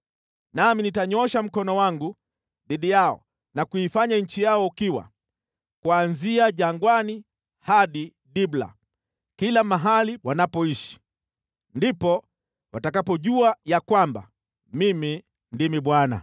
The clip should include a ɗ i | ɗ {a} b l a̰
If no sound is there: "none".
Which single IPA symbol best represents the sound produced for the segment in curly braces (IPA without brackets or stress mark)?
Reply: i